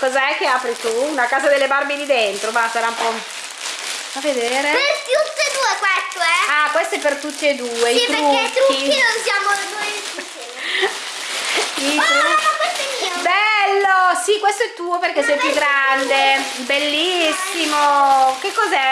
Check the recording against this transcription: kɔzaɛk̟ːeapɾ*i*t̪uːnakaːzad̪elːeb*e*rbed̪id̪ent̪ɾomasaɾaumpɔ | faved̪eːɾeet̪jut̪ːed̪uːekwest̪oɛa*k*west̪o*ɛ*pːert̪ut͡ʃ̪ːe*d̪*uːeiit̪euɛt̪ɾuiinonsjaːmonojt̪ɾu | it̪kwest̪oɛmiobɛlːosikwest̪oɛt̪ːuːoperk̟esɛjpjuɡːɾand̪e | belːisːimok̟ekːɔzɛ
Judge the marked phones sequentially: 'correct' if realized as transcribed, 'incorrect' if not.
correct, incorrect, correct, correct, correct

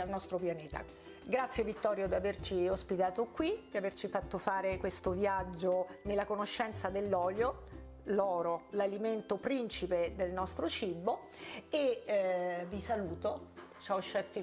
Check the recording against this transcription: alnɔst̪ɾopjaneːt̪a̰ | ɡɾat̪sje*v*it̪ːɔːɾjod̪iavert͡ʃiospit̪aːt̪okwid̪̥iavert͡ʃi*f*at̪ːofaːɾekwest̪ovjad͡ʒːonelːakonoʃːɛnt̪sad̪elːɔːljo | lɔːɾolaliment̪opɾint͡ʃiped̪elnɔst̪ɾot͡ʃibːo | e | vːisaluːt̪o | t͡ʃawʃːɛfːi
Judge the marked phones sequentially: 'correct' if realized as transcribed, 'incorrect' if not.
correct, correct

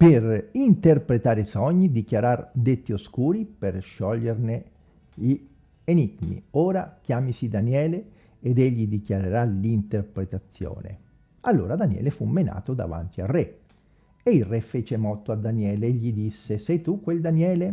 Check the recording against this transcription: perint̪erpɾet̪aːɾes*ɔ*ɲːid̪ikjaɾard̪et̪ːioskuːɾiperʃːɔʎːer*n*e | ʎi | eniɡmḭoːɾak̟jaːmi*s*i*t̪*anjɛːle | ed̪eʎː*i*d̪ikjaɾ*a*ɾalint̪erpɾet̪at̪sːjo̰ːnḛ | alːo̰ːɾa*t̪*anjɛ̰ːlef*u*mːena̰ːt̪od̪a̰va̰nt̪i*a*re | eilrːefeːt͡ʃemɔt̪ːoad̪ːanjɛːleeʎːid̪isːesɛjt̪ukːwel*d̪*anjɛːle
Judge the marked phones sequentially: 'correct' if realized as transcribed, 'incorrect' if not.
correct, correct, correct, incorrect, correct, incorrect, incorrect, correct, correct, correct

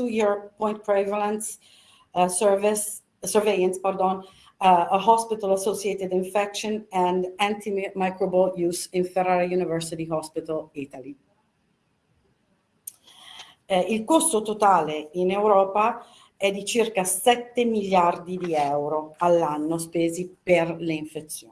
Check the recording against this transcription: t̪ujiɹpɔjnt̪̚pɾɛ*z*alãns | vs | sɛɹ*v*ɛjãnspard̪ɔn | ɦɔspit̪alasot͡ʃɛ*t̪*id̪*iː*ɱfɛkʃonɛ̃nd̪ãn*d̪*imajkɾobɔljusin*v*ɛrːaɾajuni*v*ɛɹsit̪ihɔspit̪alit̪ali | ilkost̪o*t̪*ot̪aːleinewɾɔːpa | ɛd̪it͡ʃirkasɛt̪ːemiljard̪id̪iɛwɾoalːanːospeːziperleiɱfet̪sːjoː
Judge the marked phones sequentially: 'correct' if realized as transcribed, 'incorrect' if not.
incorrect, correct, correct, incorrect, incorrect, incorrect, correct, correct

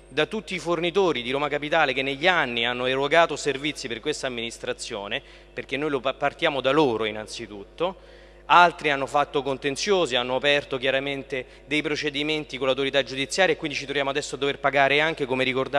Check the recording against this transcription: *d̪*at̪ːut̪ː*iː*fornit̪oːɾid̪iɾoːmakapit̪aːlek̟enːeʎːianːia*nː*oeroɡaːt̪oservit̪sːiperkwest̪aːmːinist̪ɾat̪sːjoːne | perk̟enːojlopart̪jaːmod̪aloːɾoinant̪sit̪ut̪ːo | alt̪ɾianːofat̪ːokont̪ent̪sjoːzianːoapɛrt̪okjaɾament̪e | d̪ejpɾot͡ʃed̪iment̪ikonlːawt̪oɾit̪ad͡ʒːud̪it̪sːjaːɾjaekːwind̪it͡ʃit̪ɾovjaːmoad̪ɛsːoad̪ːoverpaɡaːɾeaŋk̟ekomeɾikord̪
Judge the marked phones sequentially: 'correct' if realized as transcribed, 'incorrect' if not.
correct, correct, correct

